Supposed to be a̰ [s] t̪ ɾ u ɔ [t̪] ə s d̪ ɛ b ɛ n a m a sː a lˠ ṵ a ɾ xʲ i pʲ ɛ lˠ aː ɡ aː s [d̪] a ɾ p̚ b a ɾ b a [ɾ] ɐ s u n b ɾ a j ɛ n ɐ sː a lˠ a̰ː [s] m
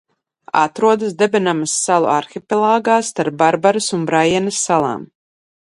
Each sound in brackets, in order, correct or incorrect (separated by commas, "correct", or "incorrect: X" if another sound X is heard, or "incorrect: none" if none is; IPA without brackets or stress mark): incorrect: none, incorrect: d̪, incorrect: t̪, correct, incorrect: none